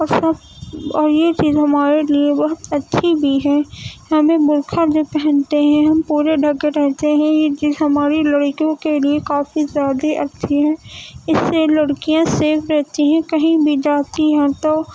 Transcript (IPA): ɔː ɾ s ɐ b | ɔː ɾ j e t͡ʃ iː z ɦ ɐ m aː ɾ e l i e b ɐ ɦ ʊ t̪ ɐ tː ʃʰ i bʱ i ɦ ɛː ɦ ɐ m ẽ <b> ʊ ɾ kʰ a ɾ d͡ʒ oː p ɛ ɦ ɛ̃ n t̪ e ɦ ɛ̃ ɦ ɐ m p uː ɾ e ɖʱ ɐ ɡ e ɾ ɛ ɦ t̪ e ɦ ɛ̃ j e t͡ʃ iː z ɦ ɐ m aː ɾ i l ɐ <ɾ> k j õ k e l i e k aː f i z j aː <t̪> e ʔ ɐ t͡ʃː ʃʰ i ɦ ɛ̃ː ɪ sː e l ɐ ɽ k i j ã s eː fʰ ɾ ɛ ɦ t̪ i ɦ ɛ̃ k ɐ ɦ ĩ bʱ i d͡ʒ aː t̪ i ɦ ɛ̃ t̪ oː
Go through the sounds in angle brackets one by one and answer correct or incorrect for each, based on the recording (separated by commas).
correct, incorrect, incorrect